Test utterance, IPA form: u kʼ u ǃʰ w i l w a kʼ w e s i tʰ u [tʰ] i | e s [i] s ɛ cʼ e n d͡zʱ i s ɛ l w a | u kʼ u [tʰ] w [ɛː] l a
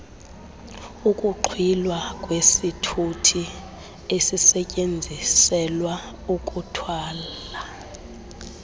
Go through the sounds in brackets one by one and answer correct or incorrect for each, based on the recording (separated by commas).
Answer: correct, correct, correct, incorrect